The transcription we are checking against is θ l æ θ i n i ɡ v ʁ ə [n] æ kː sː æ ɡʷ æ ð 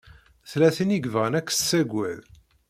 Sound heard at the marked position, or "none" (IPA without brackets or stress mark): n